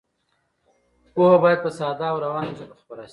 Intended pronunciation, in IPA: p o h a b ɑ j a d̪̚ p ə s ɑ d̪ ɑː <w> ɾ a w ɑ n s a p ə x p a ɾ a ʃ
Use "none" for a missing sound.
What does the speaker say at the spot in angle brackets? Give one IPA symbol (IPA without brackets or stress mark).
w